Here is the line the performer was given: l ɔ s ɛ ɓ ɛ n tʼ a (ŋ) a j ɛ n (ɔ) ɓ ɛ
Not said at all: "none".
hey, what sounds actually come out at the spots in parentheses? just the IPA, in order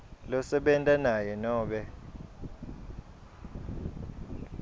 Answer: n, ɔː

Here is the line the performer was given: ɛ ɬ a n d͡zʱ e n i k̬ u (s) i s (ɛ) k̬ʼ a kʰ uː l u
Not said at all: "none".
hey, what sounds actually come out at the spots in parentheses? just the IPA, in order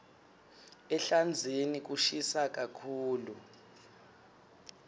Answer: ʃ, a

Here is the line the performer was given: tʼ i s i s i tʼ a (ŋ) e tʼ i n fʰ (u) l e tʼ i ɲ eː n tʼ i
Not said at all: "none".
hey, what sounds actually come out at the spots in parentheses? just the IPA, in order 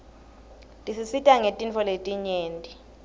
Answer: ŋ, ɔ

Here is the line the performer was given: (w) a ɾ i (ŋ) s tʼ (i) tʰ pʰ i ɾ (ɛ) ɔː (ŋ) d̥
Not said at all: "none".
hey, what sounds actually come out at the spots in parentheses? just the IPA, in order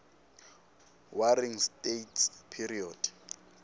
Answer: w, ŋ, e, i, none

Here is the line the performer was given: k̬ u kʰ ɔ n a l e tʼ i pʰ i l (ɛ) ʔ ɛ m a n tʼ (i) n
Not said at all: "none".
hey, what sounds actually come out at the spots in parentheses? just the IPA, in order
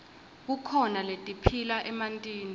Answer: a, iː

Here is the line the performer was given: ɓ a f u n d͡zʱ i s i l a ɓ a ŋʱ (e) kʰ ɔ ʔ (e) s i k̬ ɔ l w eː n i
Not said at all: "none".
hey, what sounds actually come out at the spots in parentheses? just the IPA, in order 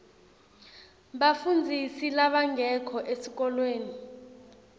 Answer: ɛ, e

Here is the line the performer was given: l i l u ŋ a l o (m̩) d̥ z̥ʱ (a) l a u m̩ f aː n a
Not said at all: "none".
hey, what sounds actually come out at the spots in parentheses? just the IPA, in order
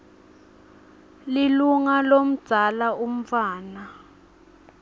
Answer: m̩, a

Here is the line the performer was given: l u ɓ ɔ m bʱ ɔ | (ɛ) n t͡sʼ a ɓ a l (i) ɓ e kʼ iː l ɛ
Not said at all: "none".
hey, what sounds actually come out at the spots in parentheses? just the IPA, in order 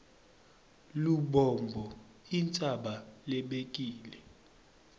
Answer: i, ɛ

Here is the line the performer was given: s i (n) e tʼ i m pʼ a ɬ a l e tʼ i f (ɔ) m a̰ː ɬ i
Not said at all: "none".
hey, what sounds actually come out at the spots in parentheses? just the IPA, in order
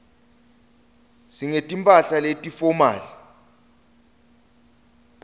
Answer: ŋ, ɔ

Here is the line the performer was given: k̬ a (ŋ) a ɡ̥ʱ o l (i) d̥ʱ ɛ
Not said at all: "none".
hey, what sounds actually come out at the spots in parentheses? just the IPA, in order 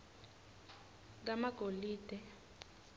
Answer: m, iː

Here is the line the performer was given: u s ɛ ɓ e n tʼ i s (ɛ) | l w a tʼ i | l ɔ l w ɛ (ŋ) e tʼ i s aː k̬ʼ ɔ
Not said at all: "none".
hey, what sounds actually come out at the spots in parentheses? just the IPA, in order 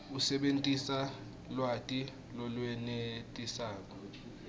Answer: a, n

